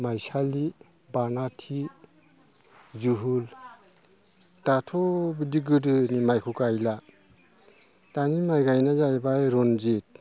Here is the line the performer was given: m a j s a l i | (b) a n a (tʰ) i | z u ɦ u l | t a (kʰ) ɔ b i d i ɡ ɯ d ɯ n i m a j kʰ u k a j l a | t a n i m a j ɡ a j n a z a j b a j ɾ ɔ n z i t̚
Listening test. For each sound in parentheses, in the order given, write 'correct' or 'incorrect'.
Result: correct, correct, incorrect: tʰ

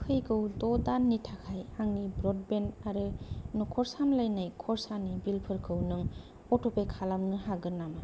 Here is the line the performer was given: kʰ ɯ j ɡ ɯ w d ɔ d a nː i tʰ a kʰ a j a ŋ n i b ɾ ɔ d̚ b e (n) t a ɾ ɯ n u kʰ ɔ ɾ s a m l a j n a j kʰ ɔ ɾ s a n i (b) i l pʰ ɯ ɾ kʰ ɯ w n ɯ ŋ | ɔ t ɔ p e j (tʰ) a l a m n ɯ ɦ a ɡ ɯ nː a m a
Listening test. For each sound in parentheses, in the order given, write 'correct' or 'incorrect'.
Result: correct, correct, incorrect: kʰ

